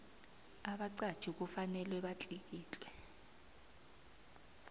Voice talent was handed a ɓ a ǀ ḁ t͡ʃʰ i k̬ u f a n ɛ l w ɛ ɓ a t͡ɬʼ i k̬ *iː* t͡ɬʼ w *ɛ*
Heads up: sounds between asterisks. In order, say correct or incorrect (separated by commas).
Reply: correct, correct